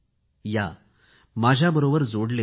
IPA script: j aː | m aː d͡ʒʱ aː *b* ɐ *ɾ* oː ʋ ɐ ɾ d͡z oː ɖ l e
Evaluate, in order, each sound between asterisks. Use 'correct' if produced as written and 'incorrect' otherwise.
correct, correct

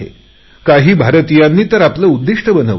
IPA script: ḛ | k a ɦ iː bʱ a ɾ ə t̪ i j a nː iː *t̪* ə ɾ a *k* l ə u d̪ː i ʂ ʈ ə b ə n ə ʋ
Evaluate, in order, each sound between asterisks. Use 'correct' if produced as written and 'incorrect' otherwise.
correct, incorrect: p

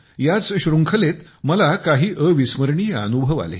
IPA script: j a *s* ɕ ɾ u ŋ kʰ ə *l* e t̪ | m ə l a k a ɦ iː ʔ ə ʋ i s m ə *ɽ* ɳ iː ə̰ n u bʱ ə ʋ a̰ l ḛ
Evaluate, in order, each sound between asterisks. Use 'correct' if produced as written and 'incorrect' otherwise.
incorrect: t͡s, correct, incorrect: ɾ

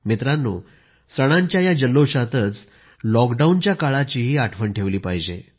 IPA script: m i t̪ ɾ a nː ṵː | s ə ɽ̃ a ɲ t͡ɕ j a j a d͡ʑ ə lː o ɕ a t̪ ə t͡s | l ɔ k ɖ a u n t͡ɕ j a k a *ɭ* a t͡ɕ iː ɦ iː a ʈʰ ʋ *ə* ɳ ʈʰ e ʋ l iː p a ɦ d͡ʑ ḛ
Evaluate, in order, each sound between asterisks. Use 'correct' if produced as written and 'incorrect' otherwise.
correct, correct

